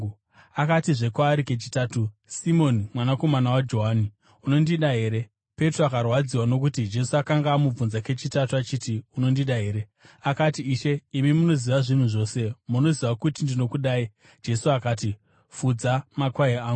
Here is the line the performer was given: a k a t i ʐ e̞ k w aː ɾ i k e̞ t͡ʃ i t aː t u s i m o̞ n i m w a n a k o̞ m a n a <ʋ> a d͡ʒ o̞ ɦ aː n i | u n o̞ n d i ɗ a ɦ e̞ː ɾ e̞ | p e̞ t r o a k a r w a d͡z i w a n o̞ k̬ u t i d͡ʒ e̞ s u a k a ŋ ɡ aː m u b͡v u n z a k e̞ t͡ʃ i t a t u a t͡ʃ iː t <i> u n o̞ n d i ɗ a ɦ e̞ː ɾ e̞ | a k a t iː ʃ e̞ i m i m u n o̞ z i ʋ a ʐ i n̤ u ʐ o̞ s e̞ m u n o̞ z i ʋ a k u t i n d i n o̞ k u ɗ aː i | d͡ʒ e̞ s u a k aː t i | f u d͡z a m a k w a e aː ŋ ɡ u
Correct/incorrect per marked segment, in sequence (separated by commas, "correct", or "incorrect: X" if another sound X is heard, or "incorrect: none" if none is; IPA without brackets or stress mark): incorrect: w, correct